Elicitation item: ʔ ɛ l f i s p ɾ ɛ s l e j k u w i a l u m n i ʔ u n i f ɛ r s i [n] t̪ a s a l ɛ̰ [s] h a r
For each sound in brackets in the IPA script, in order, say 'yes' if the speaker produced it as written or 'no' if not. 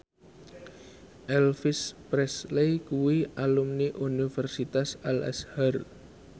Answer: no, yes

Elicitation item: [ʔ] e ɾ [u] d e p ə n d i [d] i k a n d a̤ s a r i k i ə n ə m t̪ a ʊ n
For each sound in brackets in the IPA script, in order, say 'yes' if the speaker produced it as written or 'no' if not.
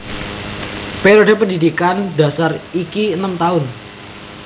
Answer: no, no, yes

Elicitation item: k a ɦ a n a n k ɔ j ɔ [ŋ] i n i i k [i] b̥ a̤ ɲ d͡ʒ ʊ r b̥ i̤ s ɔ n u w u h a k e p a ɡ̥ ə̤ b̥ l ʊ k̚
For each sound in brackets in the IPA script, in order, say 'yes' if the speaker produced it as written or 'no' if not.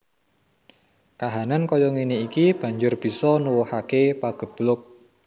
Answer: yes, yes

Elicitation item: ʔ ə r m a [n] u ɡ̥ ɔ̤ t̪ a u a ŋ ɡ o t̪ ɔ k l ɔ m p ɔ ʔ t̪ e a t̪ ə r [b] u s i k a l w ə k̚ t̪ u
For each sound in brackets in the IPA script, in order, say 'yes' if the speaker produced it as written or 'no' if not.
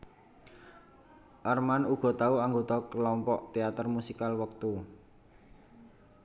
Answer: yes, no

